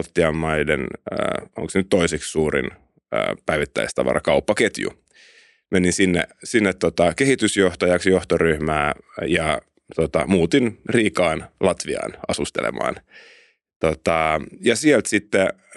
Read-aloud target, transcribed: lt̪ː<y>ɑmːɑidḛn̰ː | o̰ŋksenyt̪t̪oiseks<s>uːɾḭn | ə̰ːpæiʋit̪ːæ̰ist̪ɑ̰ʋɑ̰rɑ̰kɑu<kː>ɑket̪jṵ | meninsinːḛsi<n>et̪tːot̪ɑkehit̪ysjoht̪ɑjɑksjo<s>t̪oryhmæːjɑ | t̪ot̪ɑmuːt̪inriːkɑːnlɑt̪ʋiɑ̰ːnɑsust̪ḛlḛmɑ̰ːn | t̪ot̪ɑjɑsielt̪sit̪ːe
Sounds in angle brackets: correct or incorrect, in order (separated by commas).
incorrect, correct, incorrect, incorrect, incorrect